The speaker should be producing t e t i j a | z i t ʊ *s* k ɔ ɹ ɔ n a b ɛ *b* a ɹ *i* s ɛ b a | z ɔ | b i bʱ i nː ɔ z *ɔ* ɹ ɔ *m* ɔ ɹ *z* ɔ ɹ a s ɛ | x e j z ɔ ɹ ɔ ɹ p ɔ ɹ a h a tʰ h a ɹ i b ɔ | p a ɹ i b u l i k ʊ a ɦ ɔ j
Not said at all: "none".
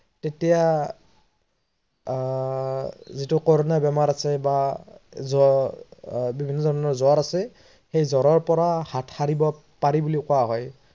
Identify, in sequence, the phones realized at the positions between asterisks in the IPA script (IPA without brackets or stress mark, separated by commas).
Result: none, m, a, ɔ, n, z